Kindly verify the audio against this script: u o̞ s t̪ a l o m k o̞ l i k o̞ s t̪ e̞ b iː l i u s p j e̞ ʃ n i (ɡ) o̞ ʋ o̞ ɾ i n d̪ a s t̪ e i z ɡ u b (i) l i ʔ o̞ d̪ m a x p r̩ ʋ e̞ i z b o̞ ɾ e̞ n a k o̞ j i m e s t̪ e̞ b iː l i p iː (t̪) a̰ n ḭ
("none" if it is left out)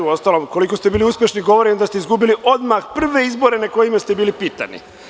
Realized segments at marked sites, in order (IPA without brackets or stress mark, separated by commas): ɡ, i, t̪